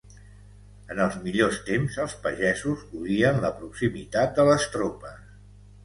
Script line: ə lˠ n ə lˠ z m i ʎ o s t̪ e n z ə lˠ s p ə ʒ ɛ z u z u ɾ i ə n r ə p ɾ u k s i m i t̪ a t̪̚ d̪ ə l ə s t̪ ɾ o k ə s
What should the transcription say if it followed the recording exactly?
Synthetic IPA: ə n ə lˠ z m i ʎ o s t̪ e m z ə lˠ s p ə ʒ ɛ z u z u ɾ i ə n l ə p ɾ u k s i m i t̪ a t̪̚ d̪ ə l ə s t̪ ɾ o p ə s